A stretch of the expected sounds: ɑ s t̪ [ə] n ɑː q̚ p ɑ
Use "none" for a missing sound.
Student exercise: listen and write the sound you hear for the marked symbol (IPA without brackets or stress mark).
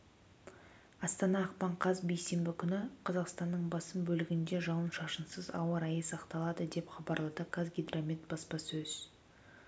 ɑ